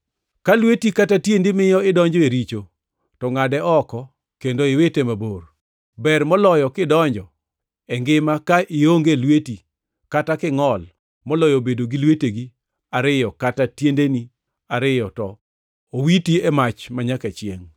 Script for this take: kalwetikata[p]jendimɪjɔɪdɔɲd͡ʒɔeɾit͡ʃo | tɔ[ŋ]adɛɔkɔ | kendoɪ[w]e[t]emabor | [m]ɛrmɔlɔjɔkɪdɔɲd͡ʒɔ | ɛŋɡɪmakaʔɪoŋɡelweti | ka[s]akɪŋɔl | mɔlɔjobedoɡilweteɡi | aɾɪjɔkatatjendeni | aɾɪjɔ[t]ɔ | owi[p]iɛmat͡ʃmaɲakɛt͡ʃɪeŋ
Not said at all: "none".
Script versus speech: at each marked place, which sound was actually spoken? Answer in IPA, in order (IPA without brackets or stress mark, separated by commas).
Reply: t, ŋ, w, t, b, t, t, t